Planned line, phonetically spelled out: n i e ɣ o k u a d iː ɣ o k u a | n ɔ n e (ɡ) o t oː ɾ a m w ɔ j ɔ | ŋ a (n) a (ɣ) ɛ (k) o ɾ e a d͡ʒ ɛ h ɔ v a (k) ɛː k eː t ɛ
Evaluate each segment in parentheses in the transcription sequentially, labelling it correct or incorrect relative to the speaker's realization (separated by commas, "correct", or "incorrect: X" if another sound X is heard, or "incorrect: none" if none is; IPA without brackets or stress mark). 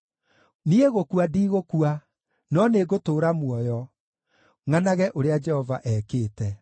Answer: correct, correct, correct, incorrect: ʔ, incorrect: ʔ